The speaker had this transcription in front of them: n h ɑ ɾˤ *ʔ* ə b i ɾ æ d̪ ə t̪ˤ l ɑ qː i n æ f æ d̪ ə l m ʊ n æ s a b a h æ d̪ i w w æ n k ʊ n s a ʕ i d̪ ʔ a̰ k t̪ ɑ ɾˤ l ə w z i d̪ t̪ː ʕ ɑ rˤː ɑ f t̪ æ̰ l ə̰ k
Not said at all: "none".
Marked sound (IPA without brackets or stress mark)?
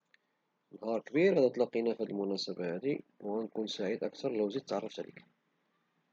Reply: k